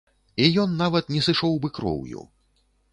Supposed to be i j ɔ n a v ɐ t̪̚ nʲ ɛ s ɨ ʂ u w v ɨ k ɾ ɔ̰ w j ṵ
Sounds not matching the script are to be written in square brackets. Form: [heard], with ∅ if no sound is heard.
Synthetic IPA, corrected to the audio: i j ɔ [nː] a v ɐ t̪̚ nʲ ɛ s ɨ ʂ [ɔ] w [b] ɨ k ɾ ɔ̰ w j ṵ